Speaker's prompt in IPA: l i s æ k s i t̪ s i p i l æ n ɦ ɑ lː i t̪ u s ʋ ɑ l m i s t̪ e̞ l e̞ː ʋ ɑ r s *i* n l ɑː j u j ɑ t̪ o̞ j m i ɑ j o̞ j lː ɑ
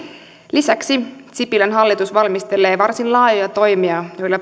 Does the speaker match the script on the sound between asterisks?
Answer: yes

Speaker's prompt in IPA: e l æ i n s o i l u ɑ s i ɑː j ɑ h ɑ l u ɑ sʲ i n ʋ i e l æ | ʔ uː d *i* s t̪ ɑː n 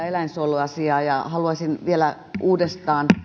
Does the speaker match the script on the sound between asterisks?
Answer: no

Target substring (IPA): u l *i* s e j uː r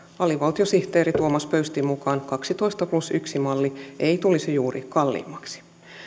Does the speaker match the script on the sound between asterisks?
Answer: yes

